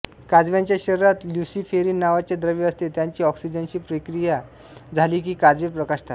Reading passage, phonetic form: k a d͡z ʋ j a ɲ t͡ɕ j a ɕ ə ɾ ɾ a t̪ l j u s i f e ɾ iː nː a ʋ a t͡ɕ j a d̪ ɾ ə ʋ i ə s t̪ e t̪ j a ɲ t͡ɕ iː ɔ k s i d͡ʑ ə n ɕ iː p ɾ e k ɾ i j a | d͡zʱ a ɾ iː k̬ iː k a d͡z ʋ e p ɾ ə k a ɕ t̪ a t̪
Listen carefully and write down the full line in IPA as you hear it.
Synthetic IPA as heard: k a d͡z ʋ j a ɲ t͡ɕ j a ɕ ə ɾ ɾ a t̪ l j u s i f e ɾ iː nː a ʋ a t͡ɕ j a d̪ ɾ ə ʋ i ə s t̪ e t̪ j a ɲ t͡ɕ iː ɔ k s i d͡ʑ ə n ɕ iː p ɾ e k ɾ i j a | d͡zʱ a l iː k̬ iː k a d͡z ʋ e p ɾ ə k a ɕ t̪ a t̪